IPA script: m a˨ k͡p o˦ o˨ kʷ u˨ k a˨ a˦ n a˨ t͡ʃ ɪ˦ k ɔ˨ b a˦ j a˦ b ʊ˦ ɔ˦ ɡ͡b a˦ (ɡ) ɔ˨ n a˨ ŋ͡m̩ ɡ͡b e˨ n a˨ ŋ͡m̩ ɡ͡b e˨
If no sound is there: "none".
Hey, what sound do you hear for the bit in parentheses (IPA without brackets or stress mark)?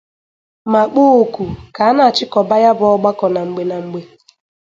k